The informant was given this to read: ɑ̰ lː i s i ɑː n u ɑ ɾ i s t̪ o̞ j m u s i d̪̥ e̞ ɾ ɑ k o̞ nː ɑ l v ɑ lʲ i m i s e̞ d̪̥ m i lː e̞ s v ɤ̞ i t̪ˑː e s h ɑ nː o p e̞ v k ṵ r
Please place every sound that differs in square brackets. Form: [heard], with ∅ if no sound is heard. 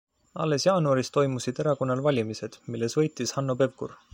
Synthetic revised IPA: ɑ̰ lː [e] s [j] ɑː n u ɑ ɾ i s t̪ o̞ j m u s i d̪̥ e̞ ɾ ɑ k o̞ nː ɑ l v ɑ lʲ i m i s e̞ d̪̥ m i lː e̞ s v ɤ̞ [j] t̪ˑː [i] s h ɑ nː o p e̞ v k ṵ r